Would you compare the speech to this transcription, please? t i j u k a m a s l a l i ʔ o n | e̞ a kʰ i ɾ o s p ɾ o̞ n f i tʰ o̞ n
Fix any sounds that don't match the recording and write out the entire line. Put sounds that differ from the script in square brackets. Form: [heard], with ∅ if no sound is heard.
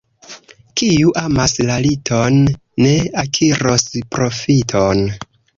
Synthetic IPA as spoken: [k] i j u [ʔ] a m a s l a l i [t] o [nː] | e̞ a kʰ i ɾ o s p ɾ o̞ [∅] f i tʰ o̞ n